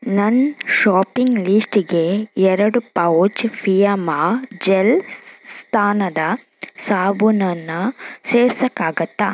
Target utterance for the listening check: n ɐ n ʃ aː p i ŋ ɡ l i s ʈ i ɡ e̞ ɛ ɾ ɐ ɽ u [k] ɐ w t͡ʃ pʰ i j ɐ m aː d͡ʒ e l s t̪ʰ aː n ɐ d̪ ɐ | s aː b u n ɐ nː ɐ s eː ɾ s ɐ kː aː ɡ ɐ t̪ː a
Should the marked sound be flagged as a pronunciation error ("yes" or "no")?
yes